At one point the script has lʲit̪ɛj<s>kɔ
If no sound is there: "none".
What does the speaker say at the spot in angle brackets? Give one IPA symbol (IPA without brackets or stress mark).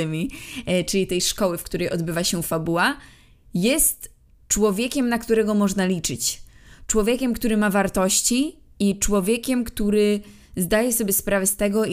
ʂ